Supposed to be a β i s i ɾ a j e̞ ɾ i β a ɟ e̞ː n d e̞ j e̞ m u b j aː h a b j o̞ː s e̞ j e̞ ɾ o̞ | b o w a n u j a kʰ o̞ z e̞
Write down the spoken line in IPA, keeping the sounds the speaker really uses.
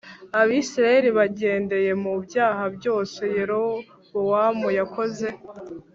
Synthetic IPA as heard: a β i s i ɾ a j e̞ ɾ i β a ɟ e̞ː n d e̞ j e̞ m u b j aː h a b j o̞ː s e̞ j e̞ ɾ o̞ | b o w a m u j a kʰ o̞ z e̞